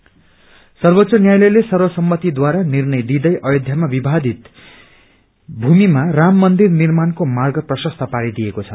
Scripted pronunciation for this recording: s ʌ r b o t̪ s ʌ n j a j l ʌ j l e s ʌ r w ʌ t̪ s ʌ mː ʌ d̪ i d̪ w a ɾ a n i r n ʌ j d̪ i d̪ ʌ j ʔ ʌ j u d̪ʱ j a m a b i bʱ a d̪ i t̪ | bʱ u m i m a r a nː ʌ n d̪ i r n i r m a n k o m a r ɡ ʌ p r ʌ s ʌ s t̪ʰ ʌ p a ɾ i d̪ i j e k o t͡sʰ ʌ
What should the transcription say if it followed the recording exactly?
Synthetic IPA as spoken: s ʌ r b o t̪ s ʌ n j a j l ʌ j l e s ʌ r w ʌ s ʌ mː ʌ t̪ i d̪ w a ɾ a n i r n ʌ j d̪ i d̪ ʌ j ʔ ʌ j o d̪ʱ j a m a b i bʱ a d̪ i t̪ | bʱ u m i m a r a mː ʌ n d̪ i r n i r m a n k o m a r ɡ ʌ p r ʌ s ʌ s t̪ʰ ʌ p a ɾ i d̪ i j e k o t͡sʰ ʌ